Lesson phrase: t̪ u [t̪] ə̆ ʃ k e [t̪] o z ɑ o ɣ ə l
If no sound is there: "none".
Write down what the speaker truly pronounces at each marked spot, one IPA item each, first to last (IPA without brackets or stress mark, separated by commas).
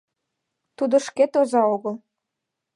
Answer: d̪, t̪